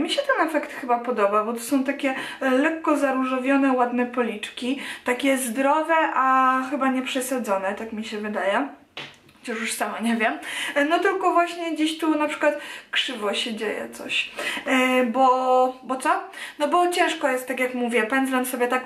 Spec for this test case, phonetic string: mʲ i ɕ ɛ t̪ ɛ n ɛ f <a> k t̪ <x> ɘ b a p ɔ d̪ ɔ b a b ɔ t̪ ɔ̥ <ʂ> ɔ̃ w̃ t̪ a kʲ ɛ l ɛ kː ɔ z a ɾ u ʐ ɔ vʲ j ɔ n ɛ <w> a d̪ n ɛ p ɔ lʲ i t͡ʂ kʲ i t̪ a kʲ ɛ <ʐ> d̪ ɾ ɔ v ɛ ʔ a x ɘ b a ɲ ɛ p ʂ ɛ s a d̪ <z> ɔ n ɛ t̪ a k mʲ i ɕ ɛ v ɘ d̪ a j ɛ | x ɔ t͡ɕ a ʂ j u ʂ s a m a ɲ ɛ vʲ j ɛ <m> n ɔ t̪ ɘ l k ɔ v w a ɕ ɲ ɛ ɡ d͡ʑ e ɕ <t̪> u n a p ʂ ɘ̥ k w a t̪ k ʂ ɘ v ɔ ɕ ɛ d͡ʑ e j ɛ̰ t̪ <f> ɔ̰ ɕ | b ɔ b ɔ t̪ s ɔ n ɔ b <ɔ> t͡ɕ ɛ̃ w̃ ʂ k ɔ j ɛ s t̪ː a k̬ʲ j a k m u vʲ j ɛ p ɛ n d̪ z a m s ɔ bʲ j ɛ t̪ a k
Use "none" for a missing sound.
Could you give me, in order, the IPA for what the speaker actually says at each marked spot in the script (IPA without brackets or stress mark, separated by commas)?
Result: ɛ, x, s, w, z, z, m, t̪, s, ɔ